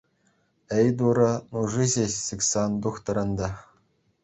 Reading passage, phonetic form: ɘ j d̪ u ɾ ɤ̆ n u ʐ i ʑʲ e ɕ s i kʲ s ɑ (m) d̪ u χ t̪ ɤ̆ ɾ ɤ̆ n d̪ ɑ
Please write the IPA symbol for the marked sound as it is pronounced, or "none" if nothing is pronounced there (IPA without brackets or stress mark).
n